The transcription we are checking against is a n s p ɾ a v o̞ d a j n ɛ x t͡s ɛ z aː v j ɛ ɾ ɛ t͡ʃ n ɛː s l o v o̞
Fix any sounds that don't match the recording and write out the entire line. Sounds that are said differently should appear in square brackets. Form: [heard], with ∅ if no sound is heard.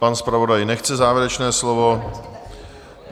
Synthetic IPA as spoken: a n s p ɾ a v o̞ d a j n ɛ x t͡s ɛ z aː v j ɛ ɾ ɛ t͡ʃ n ɛː s l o v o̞